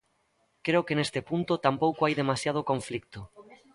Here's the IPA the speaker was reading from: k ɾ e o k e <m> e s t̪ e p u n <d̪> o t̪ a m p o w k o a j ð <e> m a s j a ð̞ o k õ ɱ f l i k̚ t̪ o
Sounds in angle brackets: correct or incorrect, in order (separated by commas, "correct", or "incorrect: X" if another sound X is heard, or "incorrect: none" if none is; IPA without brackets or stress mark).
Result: incorrect: n, incorrect: t̪, correct